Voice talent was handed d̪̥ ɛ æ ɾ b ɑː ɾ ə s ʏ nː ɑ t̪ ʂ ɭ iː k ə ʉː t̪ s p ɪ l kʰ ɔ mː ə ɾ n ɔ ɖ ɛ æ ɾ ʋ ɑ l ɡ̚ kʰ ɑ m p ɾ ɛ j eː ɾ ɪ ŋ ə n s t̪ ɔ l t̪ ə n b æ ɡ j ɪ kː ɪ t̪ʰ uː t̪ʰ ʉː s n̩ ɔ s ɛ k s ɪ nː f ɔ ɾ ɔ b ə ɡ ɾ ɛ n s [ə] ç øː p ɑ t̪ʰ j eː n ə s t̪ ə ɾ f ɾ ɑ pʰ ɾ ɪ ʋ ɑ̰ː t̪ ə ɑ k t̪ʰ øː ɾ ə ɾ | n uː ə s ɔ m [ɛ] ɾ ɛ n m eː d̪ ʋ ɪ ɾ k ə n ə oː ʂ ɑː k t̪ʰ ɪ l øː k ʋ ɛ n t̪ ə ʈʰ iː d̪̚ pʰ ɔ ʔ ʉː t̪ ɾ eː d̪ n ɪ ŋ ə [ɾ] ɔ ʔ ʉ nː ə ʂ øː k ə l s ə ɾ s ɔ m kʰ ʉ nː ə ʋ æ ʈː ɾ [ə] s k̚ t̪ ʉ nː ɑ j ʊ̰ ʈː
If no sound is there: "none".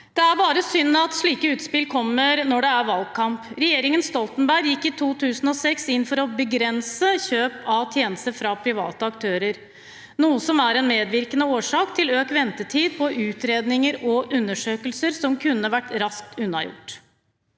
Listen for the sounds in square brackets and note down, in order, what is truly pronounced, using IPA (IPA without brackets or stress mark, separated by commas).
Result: ə, æ, ɾ, ɑ